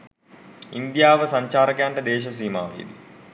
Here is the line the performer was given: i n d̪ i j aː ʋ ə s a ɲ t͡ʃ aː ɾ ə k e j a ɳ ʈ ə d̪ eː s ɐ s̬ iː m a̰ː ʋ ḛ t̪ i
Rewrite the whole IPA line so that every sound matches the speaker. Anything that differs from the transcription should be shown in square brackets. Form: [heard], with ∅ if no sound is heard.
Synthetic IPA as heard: i n d̪ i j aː ʋ ə s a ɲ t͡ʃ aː ɾ ə k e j a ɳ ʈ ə d̪ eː [ʃ] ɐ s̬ iː m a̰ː ʋ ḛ [d̪] i